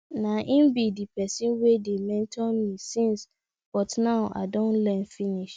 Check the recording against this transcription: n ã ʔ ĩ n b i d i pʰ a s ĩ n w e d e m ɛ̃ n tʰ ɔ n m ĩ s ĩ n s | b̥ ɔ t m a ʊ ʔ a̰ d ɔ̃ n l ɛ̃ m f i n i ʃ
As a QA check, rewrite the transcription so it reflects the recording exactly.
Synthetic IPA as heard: n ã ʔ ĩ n b i d i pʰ ɛ s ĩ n w e d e m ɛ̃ n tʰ ɔ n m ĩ s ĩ n s | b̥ ɔ t n a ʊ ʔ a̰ d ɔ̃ n l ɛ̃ n f i n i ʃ